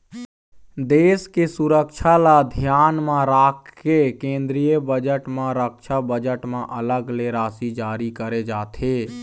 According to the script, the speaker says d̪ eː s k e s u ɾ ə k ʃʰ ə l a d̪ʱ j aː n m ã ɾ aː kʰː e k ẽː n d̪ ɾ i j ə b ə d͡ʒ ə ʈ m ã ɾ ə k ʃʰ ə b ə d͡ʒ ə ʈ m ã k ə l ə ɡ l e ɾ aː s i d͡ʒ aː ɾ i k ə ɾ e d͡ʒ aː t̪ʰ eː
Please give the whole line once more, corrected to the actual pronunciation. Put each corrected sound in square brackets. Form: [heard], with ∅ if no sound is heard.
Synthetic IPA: d̪ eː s k e s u ɾ ə k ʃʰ [a] l a d̪ʱ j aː n m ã ɾ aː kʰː e k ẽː n d̪ ɾ i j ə b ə d͡ʒ ə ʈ m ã ɾ ə k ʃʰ [a] b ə d͡ʒ ə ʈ m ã [ʔ] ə l ə ɡ l e ɾ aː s i d͡ʒ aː ɾ i k ə ɾ e d͡ʒ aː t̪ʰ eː